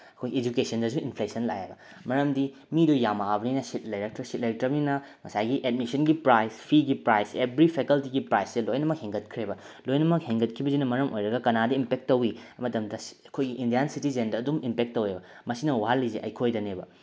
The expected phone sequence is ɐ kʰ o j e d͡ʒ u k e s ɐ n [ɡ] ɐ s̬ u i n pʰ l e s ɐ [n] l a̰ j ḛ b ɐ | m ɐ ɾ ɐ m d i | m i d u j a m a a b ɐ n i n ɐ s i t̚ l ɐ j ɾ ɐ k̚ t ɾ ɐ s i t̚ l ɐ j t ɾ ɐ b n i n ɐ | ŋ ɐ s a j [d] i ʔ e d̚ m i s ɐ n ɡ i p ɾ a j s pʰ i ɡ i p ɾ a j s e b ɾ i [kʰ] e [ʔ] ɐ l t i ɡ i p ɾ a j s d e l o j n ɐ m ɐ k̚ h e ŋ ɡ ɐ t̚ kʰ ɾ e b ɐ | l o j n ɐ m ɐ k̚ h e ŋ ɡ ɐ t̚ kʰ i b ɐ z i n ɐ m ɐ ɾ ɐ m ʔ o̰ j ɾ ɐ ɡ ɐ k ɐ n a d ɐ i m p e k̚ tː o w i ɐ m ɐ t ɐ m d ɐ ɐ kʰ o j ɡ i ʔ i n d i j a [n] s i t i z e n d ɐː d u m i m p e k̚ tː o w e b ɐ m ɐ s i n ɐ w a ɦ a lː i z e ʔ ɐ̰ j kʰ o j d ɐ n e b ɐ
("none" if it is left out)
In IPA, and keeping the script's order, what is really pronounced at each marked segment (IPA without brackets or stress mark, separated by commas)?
d, n, ɡ, pʰ, k, n